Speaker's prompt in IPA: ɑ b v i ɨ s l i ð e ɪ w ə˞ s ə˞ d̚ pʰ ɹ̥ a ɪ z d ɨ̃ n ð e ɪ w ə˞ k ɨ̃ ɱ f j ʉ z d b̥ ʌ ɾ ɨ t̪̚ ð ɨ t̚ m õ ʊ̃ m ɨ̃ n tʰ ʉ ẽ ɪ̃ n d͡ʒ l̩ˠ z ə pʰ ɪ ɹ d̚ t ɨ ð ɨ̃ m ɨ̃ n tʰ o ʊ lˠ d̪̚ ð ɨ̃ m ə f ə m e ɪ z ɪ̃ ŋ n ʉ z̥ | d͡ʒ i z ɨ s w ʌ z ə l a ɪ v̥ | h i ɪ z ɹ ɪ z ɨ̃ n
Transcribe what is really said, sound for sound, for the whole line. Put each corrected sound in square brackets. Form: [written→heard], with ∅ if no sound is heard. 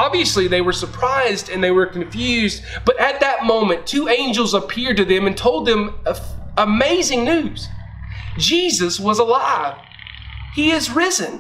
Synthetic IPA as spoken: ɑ b v i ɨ s l i ð e ɪ w ə˞ s ə˞ [d̚→∅] pʰ ɹ̥ a ɪ z d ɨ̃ n ð e ɪ w ə˞ k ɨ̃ ɱ f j ʉ z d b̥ ʌ ɾ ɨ t̪̚ ð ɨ t̚ m õ ʊ̃ m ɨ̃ n tʰ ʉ ẽ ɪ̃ n d͡ʒ l̩ˠ z ə pʰ ɪ ɹ d̚ t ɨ ð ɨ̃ m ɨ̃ n tʰ o ʊ lˠ d̪̚ ð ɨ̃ m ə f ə m e ɪ z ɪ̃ ŋ n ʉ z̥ | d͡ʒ i z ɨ s w ʌ z ə l a ɪ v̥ | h i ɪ z ɹ ɪ z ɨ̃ n